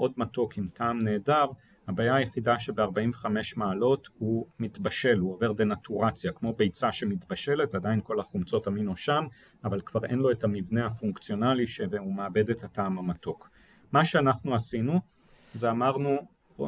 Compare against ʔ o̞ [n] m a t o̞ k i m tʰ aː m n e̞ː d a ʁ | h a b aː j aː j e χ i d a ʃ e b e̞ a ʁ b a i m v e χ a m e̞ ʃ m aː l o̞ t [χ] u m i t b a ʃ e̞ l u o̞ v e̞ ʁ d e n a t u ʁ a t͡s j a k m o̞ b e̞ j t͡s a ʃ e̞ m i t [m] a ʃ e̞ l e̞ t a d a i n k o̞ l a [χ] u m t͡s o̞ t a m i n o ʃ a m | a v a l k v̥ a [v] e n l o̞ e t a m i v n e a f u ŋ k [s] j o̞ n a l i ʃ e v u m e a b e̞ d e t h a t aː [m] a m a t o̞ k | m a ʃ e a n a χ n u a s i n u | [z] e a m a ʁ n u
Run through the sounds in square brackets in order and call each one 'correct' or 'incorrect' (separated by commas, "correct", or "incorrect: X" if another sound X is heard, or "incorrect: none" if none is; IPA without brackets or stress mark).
incorrect: d, incorrect: h, incorrect: b, correct, incorrect: ʁ, incorrect: t͡s, correct, correct